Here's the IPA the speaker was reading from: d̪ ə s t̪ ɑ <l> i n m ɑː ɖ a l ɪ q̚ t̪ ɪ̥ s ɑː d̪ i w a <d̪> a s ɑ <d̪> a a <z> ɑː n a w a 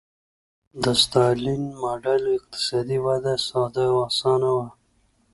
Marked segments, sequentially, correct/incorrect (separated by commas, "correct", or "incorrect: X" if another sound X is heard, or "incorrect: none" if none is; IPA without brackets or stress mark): correct, correct, correct, incorrect: s